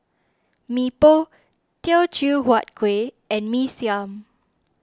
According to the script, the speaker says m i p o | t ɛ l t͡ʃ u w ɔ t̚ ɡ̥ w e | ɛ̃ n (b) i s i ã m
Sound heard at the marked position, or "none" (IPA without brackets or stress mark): m